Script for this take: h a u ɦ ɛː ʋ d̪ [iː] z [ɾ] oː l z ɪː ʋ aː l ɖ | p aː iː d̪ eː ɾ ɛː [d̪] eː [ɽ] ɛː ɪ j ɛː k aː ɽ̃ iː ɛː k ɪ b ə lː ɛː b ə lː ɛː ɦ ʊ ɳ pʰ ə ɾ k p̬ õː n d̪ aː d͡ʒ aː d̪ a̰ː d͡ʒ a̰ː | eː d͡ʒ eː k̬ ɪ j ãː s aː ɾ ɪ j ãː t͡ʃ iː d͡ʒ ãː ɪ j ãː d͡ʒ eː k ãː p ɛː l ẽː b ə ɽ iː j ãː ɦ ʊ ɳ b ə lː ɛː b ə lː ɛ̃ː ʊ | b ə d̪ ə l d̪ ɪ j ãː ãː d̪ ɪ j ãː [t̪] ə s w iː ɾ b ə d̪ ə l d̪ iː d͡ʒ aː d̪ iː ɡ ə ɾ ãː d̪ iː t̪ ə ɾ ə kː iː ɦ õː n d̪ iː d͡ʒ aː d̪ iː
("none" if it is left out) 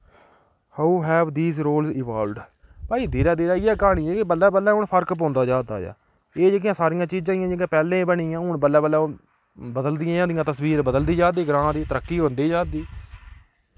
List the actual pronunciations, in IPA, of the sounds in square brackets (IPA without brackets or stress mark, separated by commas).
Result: iː, ɾ, d̪, ɾ, t̪